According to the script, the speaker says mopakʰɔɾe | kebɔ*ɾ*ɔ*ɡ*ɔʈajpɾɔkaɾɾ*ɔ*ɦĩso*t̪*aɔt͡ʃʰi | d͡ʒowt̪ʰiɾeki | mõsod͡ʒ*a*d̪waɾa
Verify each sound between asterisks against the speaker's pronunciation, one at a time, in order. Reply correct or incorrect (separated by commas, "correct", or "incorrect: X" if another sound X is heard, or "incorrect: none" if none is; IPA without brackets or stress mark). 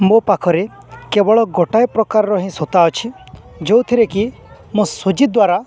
incorrect: ɭ, correct, correct, correct, incorrect: i